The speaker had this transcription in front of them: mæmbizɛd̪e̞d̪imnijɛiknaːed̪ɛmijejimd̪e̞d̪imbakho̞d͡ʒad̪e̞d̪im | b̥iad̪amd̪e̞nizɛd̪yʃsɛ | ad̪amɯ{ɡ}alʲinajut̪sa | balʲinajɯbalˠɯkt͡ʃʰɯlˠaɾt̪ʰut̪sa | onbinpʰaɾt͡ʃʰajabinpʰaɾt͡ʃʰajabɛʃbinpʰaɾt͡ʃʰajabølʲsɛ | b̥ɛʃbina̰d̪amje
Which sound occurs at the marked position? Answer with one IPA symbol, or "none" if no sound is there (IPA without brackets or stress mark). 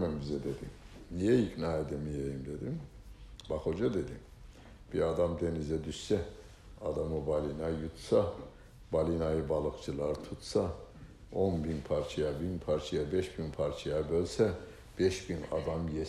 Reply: b